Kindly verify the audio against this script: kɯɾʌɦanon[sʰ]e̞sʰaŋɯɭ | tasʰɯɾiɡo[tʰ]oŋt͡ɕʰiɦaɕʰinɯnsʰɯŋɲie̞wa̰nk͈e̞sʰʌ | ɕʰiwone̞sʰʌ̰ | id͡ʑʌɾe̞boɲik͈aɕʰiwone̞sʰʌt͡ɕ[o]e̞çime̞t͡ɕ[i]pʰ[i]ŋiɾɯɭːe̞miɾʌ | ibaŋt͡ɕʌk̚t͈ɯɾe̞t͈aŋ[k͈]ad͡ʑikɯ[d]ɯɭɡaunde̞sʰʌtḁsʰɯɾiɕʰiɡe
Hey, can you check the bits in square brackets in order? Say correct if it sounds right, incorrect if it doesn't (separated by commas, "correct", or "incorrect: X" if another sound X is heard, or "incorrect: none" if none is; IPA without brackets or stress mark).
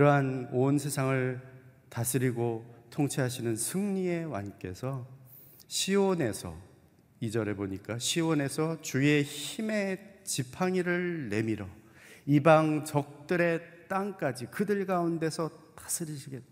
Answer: correct, correct, incorrect: u, correct, incorrect: a, correct, correct